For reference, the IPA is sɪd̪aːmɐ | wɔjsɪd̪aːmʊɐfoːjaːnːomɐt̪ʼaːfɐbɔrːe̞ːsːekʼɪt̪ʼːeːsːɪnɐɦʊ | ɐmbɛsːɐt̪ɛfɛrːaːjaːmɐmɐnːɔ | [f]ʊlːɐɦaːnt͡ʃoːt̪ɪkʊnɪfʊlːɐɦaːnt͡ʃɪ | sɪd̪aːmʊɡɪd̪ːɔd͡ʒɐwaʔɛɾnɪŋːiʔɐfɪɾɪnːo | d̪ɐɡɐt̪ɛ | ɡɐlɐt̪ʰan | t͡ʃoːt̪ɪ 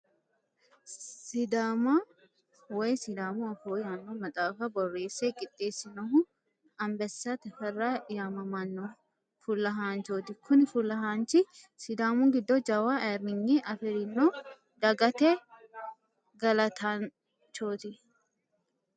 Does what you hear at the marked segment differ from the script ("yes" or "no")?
no